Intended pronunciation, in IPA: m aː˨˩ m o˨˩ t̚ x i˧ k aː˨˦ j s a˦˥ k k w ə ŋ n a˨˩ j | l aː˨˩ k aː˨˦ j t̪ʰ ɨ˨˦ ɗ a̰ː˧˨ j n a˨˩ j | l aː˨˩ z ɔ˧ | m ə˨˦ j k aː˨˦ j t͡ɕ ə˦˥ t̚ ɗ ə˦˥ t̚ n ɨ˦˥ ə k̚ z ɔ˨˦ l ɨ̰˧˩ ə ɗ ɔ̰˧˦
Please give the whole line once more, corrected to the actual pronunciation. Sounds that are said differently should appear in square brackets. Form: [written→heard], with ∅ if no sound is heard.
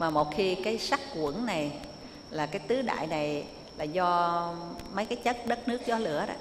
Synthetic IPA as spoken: m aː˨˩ m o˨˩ t̚ x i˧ k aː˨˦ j s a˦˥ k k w ə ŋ n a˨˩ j | l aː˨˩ k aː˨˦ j [t̪ʰ→t̪] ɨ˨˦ ɗ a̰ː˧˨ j n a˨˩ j | l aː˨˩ z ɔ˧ | m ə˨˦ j k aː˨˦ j t͡ɕ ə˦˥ t̚ ɗ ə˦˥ t̚ n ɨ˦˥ ə k̚ z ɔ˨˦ l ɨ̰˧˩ ə ɗ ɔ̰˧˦